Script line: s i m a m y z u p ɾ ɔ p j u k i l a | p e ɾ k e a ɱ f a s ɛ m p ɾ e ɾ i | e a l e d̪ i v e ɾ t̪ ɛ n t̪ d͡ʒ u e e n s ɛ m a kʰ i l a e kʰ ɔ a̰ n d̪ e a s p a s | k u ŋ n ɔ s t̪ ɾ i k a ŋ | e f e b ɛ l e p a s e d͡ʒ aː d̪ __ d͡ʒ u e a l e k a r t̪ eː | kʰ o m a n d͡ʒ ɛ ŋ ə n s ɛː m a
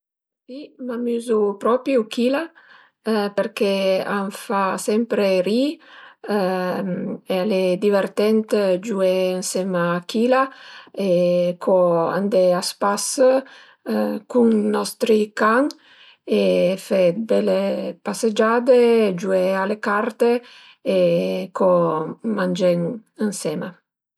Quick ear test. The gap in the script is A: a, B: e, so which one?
B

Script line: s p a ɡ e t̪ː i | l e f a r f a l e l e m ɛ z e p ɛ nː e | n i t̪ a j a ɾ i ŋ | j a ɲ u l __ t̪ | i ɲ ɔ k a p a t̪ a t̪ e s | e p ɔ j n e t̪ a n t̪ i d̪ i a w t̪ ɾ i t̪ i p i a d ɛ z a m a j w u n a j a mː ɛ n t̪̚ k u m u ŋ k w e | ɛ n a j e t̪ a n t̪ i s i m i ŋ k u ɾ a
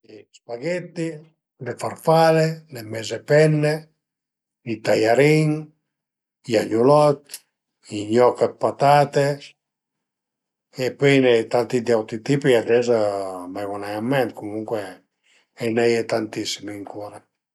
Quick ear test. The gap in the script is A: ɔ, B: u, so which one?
A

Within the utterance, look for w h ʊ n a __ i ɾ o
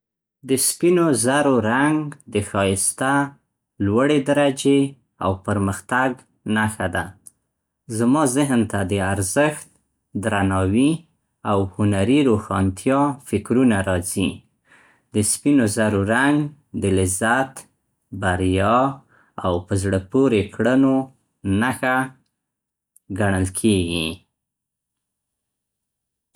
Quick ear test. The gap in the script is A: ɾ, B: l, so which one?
A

